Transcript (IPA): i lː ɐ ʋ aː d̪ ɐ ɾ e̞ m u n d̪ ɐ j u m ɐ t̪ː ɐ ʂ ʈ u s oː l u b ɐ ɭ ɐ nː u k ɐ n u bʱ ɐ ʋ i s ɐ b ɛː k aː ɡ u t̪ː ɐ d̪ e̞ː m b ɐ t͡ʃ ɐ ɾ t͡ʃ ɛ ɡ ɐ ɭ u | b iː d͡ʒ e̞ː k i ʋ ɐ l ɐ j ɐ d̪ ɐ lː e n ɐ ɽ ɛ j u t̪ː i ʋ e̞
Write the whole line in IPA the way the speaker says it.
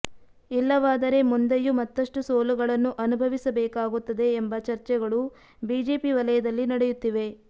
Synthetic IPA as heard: i lː ɐ ʋ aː d̪ ɐ ɾ e̞ m u n d̪ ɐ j u m ɐ t̪ː ɐ ʂ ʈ u s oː l u ɡ ɐ ɭ ɐ nː u ʔ ɐ n u bʱ ɐ ʋ i s ɐ b ɛː k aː ɡ u t̪ː ɐ d̪ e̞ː m b ɐ t͡ʃ ɐ ɾ t͡ʃ ɛ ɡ ɐ ɭ u | b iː d͡ʒ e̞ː p i ʋ ɐ l ɐ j ɐ d̪ ɐ lː i n ɐ ɽ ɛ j u t̪ː i ʋ e̞

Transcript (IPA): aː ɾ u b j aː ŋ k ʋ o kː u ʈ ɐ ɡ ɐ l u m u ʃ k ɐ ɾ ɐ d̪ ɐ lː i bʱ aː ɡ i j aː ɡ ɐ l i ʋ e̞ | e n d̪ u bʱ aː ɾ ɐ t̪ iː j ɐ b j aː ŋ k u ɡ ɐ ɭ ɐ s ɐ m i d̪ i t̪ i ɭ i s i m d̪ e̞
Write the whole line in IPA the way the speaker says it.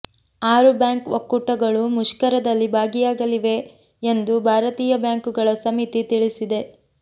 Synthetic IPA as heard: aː ɾ u b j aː ŋ k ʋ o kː u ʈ ɐ ɡ ɐ ɭ u m u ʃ k ɐ ɾ ɐ d̪ ɐ lː i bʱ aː ɡ i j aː ɡ ɐ l i ʋ e̞ | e n d̪ u bʱ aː ɾ ɐ t̪ iː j ɐ b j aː ŋ k u ɡ ɐ ɭ ɐ s ɐ m i t̪ i t̪ i ɭ i s i d̪ e̞

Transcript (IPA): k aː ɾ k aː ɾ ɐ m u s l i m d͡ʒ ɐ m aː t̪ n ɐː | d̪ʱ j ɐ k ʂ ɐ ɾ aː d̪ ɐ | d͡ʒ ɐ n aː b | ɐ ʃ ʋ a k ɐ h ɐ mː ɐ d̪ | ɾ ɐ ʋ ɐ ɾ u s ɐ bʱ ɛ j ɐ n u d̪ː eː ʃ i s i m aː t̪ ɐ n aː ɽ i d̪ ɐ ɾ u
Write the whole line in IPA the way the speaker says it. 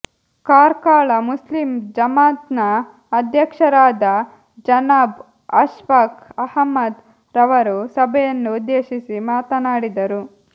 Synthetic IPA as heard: k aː ɾ k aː ɭ ɐ m u s l i m d͡ʒ ɐ m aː t̪ n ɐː | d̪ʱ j ɐ k ʂ ɐ ɾ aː d̪ ɐ | d͡ʒ ɐ n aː b | ɐ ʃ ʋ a k ɐ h ɐ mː ɐ d̪ | ɾ ɐ ʋ ɐ ɾ u s ɐ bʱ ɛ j ɐ nː u d̪ː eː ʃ i s i m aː t̪ ɐ n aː ɽ i d̪ ɐ ɾ u

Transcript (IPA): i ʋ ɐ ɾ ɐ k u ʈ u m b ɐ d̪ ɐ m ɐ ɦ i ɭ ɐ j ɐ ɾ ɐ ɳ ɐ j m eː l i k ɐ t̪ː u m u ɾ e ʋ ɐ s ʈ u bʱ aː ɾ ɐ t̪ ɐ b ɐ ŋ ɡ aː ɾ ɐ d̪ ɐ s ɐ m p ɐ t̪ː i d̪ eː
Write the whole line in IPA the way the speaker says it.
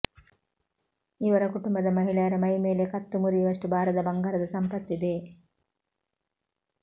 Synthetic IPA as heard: i ʋ ɐ ɾ ɐ k u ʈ u m b ɐ d̪ ɐ m ɐ ɦ i ɭ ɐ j ɐ ɾ ɐ m ɐ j m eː l e k ɐ t̪ː u m u ɾ i ʋ ɐ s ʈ u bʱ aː ɾ ɐ d̪ ɐ b ɐ ŋ ɡ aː ɾ ɐ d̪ ɐ s ɐ m p ɐ t̪ː i d̪ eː

